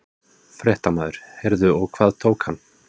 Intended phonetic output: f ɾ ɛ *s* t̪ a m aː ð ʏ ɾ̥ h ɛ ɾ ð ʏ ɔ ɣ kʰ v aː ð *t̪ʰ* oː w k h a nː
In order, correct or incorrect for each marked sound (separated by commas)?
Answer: incorrect, correct